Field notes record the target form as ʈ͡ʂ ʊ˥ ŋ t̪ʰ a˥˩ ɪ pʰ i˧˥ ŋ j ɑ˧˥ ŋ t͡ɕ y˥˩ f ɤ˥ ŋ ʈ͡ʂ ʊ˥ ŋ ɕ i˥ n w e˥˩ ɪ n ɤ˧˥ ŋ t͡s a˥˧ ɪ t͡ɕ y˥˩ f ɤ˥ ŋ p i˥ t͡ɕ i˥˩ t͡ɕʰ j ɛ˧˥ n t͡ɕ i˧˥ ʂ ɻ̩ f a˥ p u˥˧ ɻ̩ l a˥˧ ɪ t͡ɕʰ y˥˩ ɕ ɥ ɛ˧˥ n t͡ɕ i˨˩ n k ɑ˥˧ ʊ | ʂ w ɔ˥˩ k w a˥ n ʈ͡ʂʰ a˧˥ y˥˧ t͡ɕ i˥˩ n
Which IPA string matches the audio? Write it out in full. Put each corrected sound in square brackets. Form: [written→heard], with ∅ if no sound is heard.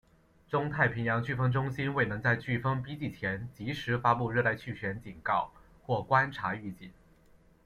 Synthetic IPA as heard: ʈ͡ʂ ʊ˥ ŋ t̪ʰ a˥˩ ɪ pʰ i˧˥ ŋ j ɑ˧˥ ŋ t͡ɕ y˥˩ f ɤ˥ ŋ ʈ͡ʂ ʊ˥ ŋ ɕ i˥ n w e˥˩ ɪ n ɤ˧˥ ŋ t͡s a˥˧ ɪ t͡ɕ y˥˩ f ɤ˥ ŋ p i˥ t͡ɕ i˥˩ t͡ɕʰ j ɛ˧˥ n t͡ɕ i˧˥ ʂ ɻ̩ f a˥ p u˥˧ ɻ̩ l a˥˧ ɪ t͡ɕʰ y˥˩ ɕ ɥ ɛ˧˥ n t͡ɕ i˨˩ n k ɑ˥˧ ʊ | [ʂ→x] w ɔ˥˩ k w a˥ n ʈ͡ʂʰ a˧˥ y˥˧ t͡ɕ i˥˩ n